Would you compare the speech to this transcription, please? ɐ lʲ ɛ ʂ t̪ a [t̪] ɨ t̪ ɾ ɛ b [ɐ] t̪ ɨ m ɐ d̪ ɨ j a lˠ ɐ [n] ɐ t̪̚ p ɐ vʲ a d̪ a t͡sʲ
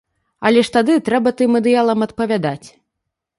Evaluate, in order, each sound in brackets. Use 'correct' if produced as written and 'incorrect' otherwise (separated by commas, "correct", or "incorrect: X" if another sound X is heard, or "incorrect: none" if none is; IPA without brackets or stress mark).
incorrect: d̪, correct, incorrect: m